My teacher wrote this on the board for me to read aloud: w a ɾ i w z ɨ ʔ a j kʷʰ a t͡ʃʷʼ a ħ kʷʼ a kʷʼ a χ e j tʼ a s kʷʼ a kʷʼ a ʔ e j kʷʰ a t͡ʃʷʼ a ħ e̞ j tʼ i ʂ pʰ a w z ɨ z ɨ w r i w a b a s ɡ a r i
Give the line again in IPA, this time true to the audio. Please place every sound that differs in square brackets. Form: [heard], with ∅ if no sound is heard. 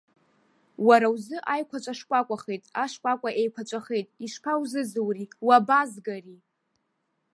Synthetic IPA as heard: w a ɾ [a] w z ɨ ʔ a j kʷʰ a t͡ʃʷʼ a [ʂ] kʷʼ a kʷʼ a χ e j tʼ a [ʂ] kʷʼ a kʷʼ a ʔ e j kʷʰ a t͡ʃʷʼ a [χ] e̞ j tʼ i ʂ pʰ a w z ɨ z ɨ w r i w a b a [z] ɡ a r i